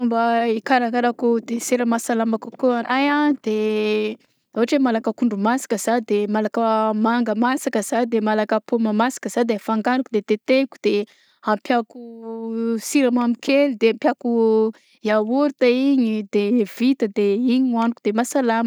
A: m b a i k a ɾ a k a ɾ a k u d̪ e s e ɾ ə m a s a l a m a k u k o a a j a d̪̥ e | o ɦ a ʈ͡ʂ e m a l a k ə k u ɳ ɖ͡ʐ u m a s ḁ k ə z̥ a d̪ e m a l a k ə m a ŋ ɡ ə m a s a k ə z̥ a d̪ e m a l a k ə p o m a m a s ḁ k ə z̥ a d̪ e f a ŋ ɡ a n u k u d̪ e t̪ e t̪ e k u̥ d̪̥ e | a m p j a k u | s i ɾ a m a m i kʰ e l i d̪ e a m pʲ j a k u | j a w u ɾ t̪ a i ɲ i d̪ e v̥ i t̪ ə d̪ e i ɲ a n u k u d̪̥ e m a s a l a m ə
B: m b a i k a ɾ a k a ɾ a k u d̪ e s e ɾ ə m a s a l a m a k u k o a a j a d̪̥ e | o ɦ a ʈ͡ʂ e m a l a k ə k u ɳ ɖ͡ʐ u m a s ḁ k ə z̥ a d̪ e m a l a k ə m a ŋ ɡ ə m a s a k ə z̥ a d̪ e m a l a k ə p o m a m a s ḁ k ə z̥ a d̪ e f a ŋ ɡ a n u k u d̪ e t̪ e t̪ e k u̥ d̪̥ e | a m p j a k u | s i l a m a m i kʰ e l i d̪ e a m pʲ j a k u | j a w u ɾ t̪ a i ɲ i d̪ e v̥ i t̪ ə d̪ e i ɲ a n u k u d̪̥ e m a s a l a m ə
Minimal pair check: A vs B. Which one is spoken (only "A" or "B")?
A